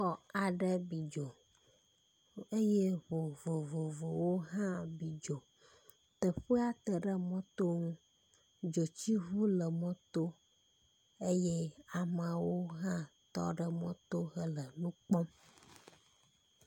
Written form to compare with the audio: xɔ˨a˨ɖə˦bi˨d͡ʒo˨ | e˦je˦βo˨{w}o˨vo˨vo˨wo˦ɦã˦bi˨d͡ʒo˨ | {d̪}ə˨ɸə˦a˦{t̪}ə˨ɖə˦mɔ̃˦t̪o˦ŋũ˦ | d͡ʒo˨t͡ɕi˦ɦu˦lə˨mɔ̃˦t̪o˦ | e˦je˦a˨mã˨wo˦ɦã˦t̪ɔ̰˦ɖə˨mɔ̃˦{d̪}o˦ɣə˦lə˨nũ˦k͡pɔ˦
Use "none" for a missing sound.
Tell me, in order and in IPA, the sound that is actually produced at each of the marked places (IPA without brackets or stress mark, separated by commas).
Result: v, t̪, t̪, t̪